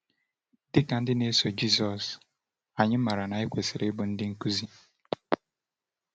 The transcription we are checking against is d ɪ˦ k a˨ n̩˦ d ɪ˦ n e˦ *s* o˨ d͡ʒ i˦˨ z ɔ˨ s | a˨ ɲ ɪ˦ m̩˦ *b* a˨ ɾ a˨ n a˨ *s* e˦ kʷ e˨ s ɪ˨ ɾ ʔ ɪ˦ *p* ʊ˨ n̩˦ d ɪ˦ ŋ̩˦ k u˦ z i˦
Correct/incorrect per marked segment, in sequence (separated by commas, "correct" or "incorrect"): correct, incorrect, incorrect, incorrect